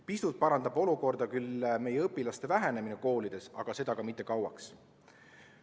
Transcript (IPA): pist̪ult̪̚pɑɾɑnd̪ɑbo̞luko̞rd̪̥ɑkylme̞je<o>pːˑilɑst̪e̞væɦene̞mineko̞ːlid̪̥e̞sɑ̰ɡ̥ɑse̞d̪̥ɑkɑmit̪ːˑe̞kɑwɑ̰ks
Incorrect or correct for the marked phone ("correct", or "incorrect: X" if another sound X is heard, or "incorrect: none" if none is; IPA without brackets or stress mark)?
incorrect: ɤ